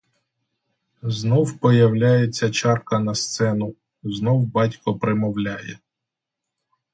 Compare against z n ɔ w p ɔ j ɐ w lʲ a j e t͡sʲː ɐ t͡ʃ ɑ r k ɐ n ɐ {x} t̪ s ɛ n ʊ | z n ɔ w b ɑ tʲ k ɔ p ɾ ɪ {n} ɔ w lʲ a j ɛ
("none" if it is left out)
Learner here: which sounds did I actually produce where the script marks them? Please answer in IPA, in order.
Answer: s, m

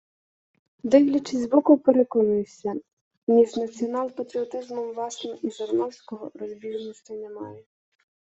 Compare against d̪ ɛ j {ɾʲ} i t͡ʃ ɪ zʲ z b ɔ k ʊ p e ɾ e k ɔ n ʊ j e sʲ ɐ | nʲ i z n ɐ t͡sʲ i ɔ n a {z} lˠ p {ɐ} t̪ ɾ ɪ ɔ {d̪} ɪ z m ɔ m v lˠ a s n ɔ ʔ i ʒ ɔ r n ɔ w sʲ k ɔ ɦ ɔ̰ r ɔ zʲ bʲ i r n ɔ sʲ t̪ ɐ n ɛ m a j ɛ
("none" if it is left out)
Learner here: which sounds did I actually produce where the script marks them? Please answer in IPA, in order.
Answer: lʲ, none, ɐ, t̪

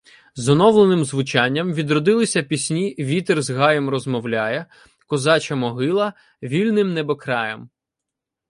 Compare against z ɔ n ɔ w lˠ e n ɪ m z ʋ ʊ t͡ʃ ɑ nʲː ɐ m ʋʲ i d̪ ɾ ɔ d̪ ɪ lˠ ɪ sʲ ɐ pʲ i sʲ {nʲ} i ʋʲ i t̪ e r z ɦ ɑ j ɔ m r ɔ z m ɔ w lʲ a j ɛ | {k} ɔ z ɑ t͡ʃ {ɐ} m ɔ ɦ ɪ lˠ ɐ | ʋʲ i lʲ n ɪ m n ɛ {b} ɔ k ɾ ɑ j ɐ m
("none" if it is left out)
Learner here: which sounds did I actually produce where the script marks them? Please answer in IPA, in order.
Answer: nʲ, k, ɐ, b

